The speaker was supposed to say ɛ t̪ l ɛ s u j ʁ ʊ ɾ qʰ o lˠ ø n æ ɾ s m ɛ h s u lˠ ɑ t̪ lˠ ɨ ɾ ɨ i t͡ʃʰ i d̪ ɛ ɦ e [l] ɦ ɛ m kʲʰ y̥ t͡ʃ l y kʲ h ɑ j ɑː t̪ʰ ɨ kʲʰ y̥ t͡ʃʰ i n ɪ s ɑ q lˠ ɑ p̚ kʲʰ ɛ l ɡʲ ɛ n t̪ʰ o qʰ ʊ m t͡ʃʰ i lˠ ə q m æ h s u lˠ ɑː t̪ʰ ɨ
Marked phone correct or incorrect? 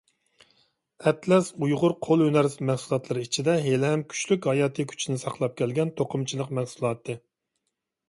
correct